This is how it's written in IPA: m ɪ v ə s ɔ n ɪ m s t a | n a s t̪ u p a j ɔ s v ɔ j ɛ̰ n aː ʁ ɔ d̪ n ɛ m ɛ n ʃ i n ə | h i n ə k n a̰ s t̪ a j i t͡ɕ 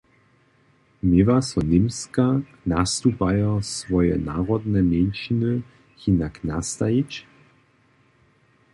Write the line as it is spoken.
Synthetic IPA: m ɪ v a s ɔ n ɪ m s k a | n a s t̪ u p a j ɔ s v ɔ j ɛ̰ n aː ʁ ɔ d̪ n ɛ m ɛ n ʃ i n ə | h i n a k n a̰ s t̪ a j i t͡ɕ